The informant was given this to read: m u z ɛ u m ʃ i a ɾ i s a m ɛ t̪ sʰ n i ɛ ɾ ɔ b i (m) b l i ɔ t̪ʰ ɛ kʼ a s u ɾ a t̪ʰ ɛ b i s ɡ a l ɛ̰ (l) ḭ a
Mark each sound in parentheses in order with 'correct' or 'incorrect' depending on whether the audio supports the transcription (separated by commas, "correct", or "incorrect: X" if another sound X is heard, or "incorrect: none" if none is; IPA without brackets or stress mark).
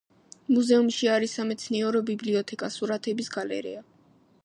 incorrect: none, incorrect: ɾ